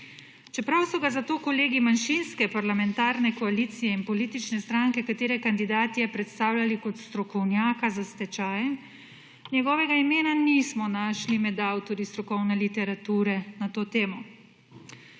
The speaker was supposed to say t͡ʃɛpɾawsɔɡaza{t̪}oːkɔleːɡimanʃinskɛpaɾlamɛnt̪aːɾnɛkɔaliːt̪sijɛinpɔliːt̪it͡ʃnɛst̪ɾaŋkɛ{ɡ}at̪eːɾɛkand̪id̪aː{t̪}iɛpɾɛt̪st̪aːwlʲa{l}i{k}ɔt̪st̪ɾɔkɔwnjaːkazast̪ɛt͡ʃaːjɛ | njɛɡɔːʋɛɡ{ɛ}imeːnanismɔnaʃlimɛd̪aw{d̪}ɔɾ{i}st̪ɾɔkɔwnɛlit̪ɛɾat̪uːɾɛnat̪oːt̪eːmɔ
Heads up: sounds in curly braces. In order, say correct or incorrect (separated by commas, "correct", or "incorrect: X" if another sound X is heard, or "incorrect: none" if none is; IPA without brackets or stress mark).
correct, incorrect: k, correct, correct, correct, incorrect: a, incorrect: t̪, correct